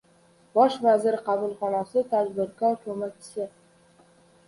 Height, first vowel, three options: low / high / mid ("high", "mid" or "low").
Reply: low